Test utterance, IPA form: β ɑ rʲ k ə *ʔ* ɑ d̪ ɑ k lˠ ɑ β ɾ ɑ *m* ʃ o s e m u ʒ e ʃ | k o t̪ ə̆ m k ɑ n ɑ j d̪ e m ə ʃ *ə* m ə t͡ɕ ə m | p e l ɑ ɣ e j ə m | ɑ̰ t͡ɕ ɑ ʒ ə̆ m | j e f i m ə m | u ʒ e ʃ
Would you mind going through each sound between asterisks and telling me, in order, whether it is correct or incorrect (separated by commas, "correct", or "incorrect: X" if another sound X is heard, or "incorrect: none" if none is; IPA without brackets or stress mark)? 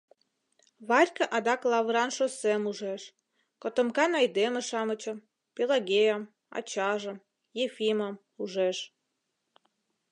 correct, incorrect: n, incorrect: ɑ